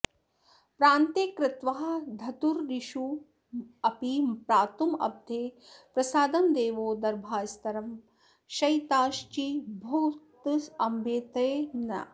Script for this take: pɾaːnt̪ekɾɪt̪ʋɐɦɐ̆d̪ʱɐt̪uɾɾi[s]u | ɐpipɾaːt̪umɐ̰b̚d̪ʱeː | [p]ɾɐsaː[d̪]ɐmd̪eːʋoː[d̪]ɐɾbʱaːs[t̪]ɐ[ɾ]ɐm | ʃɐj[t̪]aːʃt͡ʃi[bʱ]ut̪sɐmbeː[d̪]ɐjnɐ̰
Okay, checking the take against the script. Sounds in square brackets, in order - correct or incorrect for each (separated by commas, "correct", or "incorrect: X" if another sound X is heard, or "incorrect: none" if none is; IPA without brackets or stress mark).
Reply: incorrect: ʃ, correct, correct, correct, correct, correct, correct, correct, incorrect: t̪